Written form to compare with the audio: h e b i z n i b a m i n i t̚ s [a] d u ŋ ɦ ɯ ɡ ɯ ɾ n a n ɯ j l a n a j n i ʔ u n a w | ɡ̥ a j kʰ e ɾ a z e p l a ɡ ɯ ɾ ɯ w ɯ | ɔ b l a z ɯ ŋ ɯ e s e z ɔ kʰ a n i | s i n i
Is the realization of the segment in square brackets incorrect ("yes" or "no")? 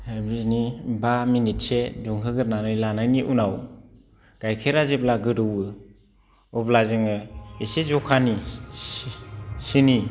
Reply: yes